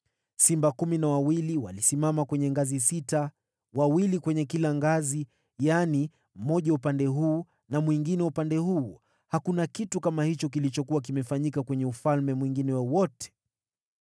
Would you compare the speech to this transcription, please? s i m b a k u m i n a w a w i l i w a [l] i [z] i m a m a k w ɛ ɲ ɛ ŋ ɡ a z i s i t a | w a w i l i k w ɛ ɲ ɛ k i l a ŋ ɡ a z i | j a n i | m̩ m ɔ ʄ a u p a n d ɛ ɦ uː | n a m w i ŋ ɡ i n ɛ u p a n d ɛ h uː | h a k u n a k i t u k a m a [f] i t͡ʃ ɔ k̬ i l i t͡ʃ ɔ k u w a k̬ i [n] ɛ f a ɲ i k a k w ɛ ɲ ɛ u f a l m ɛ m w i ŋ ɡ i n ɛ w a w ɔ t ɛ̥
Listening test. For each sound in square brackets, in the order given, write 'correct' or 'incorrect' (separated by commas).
correct, incorrect, incorrect, incorrect